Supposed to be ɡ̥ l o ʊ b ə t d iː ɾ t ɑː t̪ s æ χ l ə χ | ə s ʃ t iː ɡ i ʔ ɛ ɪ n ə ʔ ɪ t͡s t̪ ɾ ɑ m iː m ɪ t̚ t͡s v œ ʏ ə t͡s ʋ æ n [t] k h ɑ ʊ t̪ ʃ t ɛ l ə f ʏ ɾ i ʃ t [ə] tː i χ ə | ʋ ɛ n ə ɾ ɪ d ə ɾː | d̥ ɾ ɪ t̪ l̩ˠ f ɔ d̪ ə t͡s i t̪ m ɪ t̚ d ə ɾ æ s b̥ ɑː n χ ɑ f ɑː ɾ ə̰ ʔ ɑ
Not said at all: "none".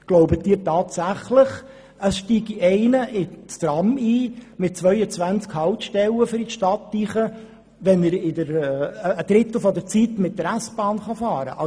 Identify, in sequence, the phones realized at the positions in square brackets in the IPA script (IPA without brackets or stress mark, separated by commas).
t͡s, ɑ